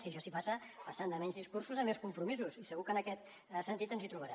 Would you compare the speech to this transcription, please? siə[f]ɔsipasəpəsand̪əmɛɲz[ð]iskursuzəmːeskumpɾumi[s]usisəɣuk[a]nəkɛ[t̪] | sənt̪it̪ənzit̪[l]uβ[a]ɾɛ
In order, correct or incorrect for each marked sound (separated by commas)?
incorrect, correct, incorrect, incorrect, correct, incorrect, incorrect